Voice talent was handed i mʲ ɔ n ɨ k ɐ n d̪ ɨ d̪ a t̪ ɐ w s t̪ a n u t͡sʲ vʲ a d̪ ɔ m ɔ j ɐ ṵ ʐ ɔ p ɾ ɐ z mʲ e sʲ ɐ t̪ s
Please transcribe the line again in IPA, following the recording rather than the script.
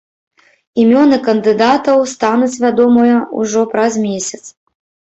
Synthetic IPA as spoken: i mʲ ɔ n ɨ k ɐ n d̪ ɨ d̪ a t̪ ɐ w s t̪ a n u t͡sʲ vʲ a d̪ ɔ m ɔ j ɐ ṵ ʐ ɔ p ɾ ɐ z mʲ e sʲ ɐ t̪ s